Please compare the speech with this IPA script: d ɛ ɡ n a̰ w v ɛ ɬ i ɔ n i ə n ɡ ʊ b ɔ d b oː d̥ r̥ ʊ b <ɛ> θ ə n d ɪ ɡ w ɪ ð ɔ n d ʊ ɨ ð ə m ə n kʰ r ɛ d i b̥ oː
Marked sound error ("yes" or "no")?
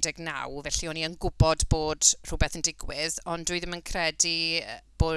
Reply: no